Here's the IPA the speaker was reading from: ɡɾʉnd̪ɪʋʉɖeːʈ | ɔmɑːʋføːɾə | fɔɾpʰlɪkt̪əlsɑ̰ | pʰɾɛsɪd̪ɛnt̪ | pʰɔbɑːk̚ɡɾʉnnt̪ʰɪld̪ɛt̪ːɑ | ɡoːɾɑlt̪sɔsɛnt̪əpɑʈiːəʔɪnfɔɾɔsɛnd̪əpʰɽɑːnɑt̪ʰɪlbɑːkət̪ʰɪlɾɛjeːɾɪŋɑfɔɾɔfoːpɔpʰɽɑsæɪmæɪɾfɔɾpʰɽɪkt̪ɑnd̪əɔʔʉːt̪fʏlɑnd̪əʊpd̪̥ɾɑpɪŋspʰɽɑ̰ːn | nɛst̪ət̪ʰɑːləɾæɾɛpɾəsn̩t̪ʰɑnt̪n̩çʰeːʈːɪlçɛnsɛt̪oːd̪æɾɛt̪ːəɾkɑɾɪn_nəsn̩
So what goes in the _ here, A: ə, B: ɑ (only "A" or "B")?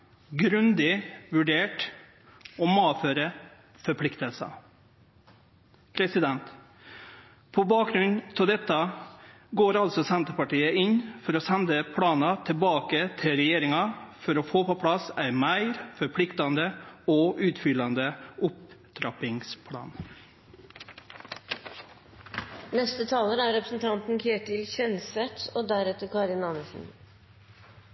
B